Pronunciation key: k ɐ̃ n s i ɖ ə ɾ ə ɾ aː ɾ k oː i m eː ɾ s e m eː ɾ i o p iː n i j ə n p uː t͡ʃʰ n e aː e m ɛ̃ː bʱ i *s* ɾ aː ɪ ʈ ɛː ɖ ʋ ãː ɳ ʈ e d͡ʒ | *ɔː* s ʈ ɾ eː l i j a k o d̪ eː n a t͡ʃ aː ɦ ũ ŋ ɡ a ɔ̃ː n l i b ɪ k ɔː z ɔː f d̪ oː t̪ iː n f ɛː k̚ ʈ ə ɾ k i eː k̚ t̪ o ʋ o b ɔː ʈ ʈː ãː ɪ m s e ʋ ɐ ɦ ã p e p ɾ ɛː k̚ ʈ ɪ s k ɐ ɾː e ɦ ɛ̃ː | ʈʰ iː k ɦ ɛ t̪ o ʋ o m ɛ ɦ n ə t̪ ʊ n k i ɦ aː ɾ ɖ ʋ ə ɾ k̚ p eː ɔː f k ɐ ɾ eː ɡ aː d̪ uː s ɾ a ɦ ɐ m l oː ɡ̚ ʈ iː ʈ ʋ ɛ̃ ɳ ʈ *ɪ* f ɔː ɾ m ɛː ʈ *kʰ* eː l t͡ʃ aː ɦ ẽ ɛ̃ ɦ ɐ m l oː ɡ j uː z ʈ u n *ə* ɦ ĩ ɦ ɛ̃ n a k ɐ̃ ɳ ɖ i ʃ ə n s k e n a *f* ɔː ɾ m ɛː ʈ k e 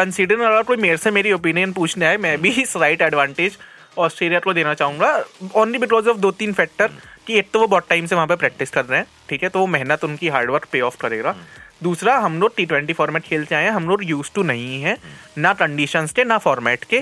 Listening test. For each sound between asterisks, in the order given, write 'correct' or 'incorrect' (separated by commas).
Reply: correct, correct, incorrect, correct, incorrect, correct